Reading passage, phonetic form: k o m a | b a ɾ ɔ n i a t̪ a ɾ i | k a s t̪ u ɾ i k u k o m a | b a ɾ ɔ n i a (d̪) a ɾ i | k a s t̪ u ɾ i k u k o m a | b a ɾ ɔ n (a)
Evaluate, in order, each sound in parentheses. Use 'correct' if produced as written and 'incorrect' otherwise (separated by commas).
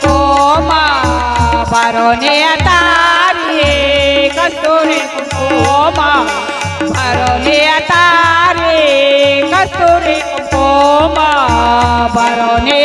incorrect, incorrect